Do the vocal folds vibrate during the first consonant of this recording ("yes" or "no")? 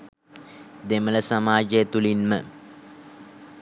yes